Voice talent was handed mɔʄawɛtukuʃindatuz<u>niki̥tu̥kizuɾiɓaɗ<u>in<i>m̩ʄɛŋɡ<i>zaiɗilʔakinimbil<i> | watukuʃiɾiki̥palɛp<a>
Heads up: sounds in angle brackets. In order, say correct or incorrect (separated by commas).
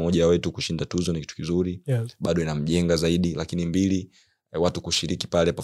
incorrect, incorrect, incorrect, incorrect, correct, correct